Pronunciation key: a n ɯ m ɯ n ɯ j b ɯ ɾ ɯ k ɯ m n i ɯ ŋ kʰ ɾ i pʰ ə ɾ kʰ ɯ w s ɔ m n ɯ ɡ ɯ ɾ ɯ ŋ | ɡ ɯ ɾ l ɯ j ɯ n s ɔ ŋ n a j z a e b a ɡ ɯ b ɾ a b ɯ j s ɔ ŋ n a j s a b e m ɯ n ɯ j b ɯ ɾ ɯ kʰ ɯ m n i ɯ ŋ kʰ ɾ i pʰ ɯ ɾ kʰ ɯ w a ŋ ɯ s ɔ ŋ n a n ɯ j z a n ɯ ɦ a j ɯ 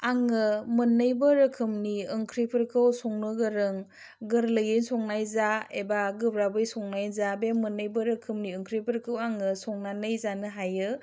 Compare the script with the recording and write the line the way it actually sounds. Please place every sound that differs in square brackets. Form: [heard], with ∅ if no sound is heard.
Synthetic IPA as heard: a [ŋ] ɯ m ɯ n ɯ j b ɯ ɾ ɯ [kʰ] ɯ m n i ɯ ŋ kʰ ɾ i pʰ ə ɾ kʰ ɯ w s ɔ [ŋ] n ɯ ɡ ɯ ɾ ɯ ŋ | ɡ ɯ ɾ l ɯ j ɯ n s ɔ ŋ n a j z a e b a ɡ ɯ b ɾ a b ɯ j s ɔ ŋ n a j [z] a b e m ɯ n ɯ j b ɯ ɾ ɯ kʰ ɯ m n i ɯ ŋ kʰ ɾ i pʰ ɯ ɾ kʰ ɯ w a ŋ ɯ s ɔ ŋ n a n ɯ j z a n ɯ ɦ a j ɯ